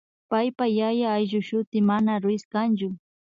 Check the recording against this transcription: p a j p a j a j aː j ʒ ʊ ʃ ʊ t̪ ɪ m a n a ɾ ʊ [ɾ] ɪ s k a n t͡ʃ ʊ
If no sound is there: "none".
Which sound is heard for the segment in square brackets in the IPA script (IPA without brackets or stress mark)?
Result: none